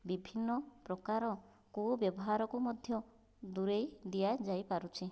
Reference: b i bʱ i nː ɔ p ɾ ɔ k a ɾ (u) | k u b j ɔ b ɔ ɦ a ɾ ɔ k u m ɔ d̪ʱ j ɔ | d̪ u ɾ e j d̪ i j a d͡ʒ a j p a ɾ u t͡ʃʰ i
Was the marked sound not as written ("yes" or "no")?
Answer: yes